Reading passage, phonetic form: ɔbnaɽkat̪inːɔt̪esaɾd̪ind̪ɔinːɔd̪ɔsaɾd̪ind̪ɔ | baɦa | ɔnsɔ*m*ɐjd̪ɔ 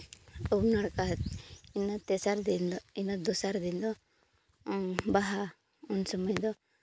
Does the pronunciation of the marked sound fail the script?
no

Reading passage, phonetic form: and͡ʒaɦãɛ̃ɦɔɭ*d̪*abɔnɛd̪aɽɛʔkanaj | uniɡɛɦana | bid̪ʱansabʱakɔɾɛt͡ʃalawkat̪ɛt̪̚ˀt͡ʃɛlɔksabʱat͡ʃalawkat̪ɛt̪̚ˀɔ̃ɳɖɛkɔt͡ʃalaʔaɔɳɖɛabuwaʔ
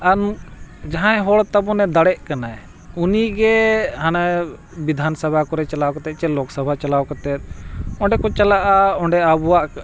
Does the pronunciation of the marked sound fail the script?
yes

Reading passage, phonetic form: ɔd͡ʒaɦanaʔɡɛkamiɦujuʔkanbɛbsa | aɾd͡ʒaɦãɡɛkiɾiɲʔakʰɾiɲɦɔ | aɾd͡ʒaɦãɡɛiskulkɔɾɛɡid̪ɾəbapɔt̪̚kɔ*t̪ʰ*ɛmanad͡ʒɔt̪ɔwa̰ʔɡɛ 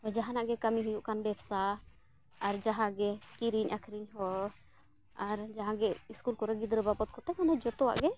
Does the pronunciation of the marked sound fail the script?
yes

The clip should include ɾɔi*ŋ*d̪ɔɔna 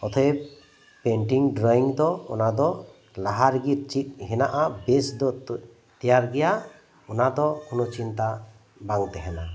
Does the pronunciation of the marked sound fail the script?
no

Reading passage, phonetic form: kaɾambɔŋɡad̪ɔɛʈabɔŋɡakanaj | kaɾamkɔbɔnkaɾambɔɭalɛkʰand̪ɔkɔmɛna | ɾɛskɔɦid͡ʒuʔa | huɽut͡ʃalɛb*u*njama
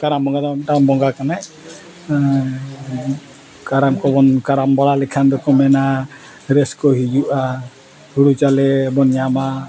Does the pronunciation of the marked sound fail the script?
yes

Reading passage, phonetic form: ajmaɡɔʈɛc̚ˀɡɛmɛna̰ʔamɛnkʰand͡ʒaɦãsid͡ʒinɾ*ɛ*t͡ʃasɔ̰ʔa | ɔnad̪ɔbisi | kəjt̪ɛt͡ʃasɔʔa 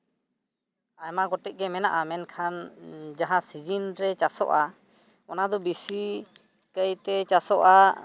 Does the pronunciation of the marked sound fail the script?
no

